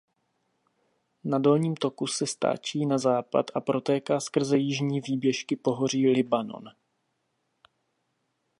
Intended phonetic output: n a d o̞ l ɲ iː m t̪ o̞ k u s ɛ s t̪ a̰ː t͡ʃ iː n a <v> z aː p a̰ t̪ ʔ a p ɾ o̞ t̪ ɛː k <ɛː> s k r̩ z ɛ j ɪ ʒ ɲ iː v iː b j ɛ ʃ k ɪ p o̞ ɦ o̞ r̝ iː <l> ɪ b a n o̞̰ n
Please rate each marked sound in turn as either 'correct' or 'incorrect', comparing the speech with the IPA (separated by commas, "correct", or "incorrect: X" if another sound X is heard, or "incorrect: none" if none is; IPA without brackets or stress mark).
incorrect: none, incorrect: aː, correct